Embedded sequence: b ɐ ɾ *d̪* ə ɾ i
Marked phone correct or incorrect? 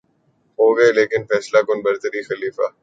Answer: incorrect